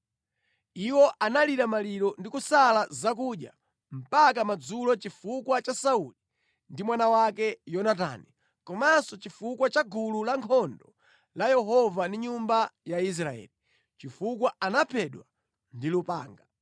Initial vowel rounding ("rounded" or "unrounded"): unrounded